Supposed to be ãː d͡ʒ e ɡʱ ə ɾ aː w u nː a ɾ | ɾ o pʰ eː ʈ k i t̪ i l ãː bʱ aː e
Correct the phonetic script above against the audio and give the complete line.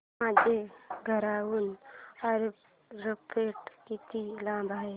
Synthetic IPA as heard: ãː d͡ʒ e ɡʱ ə ɾ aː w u n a ɾ | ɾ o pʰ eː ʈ k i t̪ i l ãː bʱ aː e